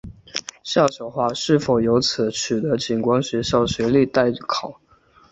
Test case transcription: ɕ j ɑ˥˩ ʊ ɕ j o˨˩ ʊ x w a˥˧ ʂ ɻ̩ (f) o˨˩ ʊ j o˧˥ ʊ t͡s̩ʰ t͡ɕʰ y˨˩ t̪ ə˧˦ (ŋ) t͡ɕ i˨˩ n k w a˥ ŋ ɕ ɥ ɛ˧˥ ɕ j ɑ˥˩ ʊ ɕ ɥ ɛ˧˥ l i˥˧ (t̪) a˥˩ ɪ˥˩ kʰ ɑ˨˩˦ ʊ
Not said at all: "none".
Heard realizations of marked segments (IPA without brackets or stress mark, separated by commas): f, none, t̪